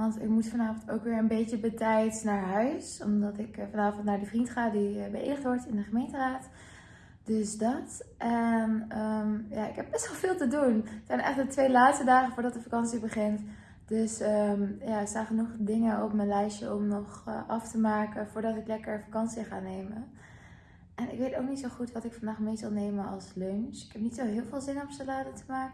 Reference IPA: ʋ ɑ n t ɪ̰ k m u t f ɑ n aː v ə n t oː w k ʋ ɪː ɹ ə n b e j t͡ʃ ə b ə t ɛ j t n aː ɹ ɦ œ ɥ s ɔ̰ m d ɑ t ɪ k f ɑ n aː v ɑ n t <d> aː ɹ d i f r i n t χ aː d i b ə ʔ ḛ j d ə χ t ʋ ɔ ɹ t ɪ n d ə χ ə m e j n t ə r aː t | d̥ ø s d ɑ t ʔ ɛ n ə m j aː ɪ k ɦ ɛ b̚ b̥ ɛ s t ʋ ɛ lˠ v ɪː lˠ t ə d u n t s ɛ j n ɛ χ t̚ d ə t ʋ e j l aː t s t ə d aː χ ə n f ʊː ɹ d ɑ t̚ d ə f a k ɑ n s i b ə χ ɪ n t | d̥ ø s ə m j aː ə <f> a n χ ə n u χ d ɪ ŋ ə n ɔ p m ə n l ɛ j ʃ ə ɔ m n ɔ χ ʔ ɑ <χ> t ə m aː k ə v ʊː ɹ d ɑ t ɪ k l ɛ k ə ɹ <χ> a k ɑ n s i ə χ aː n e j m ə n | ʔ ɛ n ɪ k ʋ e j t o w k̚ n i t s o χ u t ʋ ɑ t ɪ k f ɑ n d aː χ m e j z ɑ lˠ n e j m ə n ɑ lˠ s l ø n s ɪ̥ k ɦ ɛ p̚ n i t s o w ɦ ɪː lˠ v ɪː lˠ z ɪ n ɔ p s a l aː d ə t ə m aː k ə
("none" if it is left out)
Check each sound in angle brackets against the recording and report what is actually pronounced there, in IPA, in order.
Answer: n, s, f, f

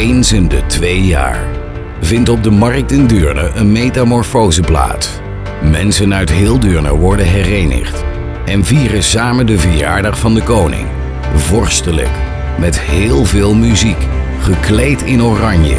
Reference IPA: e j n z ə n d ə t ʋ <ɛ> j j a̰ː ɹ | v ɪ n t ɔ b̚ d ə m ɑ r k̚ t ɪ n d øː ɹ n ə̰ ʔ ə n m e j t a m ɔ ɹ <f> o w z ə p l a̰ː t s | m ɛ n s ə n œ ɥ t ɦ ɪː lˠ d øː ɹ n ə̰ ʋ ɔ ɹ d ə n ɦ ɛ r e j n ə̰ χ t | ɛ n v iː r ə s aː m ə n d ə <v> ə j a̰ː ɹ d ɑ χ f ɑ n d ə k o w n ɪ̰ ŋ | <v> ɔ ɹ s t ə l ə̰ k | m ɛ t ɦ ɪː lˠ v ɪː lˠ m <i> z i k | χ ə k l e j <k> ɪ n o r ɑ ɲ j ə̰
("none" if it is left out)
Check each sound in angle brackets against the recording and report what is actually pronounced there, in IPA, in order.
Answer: e, f, v, v, y, t

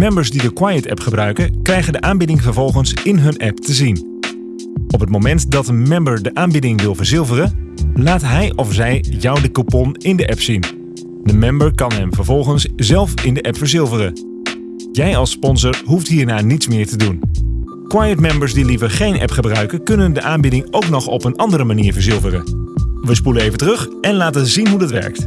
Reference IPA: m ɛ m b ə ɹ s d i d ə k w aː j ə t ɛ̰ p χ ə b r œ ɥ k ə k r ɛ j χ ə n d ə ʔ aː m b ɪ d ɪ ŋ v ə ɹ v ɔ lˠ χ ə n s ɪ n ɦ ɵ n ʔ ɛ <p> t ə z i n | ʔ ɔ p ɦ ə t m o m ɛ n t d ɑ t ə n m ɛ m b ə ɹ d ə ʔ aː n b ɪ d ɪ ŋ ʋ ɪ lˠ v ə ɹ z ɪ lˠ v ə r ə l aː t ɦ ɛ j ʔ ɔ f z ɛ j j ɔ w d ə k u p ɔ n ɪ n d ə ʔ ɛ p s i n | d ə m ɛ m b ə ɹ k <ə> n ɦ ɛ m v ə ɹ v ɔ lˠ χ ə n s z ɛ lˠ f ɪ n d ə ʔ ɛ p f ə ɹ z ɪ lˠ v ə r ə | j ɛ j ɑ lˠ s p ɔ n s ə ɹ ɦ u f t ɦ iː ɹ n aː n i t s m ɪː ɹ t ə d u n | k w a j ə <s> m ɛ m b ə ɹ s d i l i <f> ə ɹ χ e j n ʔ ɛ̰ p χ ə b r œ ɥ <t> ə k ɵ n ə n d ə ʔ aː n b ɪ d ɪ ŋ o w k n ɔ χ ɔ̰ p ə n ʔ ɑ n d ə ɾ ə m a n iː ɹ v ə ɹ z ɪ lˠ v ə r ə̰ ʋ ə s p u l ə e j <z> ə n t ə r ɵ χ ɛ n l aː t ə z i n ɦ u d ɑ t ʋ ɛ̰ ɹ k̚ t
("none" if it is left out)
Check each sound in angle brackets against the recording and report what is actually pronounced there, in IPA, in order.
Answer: p, ɑ, t, v, k, v

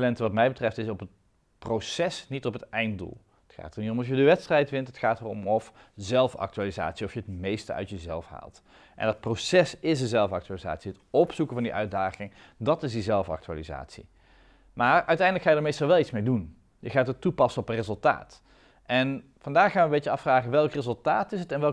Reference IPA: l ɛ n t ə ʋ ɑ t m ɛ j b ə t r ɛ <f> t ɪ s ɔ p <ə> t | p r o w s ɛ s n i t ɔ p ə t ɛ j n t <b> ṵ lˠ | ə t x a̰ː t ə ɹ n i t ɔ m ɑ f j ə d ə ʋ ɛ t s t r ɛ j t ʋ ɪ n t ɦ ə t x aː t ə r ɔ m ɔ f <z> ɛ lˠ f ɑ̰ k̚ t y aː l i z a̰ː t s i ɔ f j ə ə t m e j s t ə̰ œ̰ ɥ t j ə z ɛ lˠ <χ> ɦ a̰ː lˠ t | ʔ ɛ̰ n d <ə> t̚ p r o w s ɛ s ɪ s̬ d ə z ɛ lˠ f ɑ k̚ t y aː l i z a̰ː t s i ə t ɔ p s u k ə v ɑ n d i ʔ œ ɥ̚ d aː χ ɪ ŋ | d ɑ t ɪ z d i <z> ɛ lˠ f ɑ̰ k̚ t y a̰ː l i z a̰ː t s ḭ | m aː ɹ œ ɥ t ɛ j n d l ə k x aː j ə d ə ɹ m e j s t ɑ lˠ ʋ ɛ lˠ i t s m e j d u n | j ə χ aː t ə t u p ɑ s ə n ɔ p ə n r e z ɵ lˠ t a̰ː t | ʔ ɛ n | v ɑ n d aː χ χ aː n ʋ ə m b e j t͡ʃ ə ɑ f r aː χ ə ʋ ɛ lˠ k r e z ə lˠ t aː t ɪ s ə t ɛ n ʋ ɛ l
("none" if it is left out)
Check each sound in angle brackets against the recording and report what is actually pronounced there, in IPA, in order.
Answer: f, ə, d, z, f, ɑ, z

